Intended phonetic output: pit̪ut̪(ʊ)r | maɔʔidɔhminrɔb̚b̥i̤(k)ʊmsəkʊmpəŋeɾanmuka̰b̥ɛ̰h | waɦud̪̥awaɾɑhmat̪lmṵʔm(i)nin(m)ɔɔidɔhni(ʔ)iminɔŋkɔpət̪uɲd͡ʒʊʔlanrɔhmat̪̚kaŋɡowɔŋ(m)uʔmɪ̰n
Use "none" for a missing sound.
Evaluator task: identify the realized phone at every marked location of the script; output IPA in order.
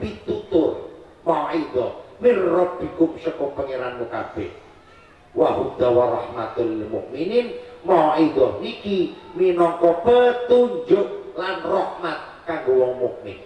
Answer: ʊ, k, i, m, k, m

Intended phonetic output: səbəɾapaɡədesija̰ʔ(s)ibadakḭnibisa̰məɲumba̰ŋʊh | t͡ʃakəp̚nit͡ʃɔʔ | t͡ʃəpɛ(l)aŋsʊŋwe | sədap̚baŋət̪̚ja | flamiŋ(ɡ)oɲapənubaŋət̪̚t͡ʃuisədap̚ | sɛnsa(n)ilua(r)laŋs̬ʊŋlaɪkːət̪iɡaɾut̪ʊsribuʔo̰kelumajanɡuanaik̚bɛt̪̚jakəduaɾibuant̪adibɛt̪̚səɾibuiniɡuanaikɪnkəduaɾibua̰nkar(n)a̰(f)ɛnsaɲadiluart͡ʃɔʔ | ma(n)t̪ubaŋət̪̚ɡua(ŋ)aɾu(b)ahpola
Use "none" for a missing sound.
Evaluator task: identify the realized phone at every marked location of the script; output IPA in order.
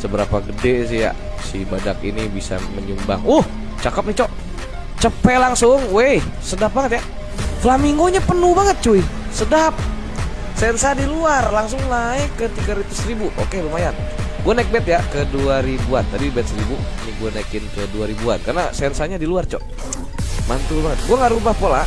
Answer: s, l, ɡ, d, r, n, s, n, ŋ, b

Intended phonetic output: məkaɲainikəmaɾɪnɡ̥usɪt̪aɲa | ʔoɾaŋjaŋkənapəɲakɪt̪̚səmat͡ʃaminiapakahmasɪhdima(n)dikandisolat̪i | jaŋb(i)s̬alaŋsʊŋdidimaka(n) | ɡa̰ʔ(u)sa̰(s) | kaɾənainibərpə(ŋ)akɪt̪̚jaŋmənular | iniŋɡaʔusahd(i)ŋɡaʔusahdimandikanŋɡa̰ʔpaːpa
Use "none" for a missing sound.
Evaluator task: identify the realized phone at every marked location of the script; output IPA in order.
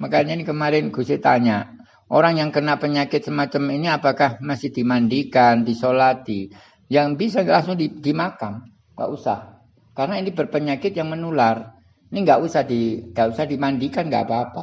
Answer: n, i, m, u, h, ɲ, i

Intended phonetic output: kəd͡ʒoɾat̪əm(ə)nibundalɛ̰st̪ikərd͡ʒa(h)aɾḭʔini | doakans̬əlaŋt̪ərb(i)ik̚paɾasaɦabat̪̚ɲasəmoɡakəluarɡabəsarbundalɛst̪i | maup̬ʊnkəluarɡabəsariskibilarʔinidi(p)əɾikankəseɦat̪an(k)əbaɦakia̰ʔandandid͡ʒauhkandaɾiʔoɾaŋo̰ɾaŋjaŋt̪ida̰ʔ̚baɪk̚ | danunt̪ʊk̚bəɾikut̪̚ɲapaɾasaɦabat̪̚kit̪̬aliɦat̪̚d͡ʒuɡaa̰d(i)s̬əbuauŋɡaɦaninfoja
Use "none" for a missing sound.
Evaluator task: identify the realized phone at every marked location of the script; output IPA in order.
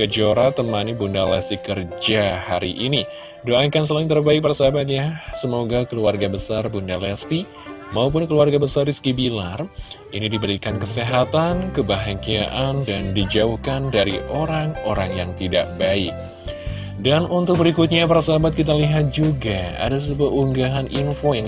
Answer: a, h, a, b, k, a

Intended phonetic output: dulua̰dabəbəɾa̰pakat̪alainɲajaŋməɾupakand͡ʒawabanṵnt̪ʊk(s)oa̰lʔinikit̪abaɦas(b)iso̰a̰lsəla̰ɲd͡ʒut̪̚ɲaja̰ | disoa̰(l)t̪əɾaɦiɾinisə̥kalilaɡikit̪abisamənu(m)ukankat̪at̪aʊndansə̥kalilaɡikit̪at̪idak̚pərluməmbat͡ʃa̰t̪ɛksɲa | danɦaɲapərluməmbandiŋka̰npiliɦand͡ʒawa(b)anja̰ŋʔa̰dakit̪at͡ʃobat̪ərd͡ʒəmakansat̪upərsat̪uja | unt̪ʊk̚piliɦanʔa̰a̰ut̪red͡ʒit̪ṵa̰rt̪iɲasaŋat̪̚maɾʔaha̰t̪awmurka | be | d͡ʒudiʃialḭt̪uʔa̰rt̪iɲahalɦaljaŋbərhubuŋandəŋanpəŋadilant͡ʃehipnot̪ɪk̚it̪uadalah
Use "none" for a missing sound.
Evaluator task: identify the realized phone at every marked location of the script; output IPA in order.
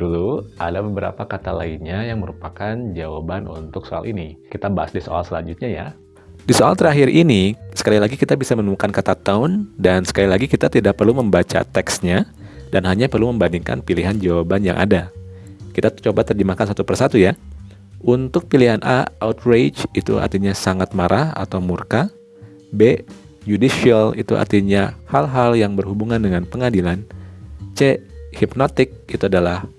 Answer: s, d, l, m, b

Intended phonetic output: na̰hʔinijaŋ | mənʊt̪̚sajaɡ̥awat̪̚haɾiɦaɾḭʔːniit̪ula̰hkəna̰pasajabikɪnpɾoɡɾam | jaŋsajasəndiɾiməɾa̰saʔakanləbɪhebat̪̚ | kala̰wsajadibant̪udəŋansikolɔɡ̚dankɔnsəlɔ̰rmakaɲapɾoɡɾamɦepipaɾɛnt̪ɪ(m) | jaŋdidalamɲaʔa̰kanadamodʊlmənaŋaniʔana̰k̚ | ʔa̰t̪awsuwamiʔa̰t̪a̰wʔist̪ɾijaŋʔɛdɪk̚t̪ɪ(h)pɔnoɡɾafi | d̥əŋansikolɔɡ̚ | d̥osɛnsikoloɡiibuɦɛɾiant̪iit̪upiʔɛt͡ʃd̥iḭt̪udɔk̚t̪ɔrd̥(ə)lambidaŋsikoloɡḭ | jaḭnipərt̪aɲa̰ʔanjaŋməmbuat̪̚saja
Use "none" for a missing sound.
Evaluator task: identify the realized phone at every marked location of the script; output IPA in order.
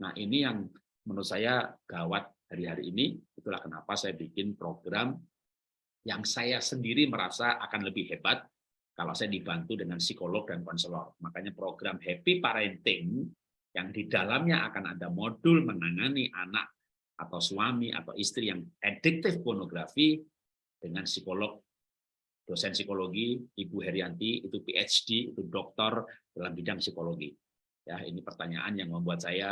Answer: ŋ, f, a

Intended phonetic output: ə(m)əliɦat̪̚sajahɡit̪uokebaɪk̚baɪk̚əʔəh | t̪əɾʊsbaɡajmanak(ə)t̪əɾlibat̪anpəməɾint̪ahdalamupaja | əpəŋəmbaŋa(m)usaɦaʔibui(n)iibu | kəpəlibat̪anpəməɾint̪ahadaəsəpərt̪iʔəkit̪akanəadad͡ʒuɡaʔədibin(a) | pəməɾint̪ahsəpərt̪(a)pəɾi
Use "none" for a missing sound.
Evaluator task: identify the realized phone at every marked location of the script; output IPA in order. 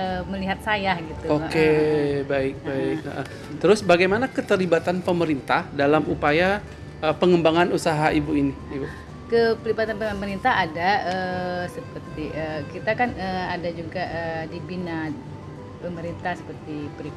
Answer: m, ə, n, n, a, i

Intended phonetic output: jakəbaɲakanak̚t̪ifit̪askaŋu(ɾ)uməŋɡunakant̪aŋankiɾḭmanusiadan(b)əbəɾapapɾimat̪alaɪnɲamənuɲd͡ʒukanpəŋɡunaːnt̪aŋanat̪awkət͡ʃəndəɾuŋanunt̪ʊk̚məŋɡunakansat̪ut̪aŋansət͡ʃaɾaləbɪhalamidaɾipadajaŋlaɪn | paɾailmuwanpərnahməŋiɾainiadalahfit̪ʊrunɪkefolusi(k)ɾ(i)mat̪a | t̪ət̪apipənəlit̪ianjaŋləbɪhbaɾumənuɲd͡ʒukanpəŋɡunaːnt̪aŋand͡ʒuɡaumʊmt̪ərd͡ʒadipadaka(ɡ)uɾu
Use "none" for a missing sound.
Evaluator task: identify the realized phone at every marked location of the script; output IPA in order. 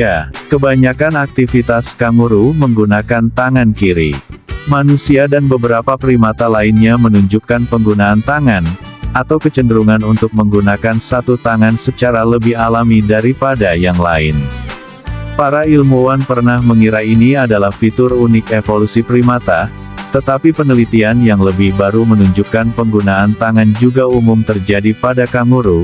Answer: ɾ, b, p, i, ŋ

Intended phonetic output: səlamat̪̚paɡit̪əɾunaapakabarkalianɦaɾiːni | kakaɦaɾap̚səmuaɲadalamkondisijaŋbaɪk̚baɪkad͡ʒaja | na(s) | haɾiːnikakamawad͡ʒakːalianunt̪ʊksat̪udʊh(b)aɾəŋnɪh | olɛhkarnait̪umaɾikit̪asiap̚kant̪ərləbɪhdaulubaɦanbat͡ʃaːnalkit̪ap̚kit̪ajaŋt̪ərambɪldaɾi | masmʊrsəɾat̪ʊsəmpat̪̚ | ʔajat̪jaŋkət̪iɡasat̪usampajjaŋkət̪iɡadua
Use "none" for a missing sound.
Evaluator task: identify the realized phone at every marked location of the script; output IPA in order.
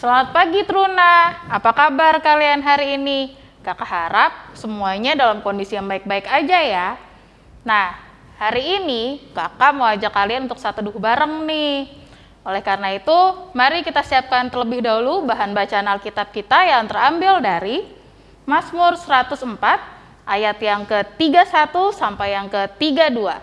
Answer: h, b

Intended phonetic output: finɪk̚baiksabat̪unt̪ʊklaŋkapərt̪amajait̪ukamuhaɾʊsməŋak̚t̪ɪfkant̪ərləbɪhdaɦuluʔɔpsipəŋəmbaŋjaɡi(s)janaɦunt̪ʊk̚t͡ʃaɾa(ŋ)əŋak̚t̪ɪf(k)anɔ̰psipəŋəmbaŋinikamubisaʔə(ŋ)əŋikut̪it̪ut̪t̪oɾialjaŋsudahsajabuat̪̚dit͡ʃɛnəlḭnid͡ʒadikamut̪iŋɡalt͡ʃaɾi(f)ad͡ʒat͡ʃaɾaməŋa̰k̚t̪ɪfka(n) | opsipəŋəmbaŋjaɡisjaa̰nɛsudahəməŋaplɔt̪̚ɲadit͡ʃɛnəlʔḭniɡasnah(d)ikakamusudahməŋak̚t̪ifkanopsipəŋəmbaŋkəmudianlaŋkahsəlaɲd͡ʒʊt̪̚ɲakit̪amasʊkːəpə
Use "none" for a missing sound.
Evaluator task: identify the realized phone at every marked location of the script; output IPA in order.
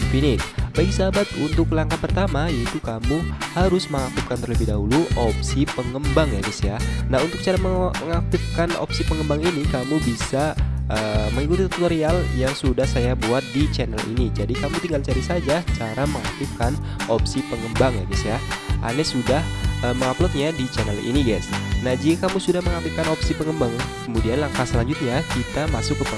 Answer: s, m, k, m, s, n, d͡ʒ

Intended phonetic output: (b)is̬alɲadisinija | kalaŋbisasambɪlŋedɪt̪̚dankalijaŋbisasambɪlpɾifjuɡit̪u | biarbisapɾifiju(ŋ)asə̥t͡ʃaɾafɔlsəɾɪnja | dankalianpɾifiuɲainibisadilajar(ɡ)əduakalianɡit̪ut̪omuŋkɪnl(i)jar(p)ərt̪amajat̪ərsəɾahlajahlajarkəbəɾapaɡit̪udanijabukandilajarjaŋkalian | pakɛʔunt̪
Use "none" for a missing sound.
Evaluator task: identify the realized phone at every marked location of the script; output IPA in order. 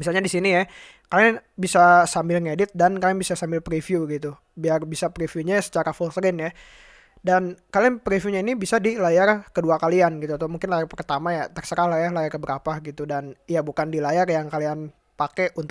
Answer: m, ɲ, k, a, p

